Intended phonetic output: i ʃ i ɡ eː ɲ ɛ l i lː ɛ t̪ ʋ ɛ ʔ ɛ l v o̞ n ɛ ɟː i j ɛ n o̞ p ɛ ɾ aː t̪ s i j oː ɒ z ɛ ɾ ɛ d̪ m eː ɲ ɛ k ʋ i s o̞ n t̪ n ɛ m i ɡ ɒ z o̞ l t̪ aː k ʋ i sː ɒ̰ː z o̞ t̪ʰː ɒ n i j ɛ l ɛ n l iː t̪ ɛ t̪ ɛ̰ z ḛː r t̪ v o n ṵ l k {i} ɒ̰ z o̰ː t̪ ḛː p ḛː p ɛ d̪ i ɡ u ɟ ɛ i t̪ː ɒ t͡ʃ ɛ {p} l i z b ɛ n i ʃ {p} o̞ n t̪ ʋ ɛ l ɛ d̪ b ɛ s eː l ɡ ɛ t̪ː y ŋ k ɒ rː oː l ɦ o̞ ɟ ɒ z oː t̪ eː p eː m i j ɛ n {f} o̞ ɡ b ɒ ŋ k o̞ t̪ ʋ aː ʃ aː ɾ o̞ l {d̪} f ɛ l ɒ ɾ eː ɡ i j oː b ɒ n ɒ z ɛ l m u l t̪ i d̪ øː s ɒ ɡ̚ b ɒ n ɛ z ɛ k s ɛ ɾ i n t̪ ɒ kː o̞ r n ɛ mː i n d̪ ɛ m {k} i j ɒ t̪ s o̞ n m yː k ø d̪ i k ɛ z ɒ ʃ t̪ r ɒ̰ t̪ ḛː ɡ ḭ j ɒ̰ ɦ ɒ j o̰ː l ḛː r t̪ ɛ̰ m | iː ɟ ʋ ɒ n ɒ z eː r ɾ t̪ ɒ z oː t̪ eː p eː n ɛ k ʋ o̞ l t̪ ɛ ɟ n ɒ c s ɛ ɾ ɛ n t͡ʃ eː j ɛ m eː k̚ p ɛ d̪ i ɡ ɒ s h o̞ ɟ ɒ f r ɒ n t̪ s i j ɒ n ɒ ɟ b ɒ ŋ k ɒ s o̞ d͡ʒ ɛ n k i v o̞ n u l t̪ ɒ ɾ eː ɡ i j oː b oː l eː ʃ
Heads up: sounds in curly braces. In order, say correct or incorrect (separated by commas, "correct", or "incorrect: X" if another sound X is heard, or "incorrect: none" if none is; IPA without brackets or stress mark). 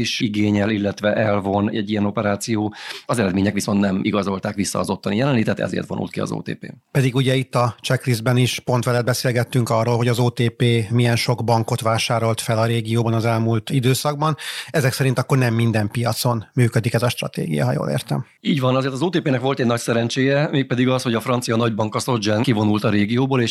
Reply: correct, incorrect: k, correct, incorrect: ʃ, incorrect: t̪, incorrect: p